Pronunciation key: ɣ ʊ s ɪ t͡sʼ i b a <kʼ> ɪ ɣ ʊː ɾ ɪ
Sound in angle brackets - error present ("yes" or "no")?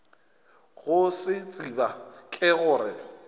no